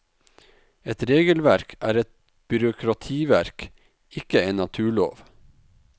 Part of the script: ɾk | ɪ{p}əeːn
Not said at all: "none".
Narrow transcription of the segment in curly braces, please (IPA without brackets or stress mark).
k